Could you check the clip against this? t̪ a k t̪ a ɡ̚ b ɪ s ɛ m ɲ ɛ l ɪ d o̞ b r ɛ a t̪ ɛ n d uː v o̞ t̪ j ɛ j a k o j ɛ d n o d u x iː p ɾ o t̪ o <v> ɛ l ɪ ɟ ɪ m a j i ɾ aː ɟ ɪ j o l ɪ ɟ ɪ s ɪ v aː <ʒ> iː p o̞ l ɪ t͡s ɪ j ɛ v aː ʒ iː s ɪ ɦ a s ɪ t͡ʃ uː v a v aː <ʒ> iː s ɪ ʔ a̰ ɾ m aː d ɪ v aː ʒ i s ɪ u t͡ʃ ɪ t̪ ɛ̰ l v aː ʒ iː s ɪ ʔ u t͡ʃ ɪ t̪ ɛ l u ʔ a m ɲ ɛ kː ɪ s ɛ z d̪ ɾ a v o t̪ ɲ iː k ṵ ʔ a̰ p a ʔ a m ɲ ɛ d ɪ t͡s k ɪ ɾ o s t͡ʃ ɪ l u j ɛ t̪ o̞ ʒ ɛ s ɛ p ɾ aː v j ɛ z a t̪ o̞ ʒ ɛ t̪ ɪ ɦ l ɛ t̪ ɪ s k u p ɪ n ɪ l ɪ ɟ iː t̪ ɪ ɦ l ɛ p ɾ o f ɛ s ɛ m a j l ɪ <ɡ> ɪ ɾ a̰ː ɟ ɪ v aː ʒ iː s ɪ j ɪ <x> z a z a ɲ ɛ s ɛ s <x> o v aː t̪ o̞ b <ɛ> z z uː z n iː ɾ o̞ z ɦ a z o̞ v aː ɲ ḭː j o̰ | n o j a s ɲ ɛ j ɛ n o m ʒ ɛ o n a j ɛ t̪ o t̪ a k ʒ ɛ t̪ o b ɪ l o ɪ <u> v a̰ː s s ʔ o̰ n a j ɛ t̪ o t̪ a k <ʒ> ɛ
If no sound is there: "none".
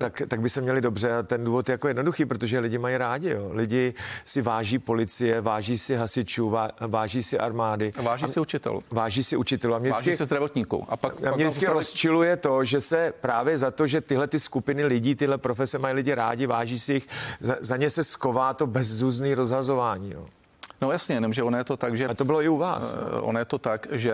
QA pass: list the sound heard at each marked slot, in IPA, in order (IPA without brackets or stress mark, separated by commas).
ʒ, ʒ, ʒ, ɟ, x, k, ɛ, u, ʒ